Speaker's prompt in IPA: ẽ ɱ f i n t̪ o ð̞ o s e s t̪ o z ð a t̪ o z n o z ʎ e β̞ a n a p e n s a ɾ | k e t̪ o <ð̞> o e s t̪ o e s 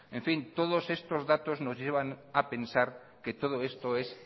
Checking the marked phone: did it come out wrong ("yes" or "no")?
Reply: no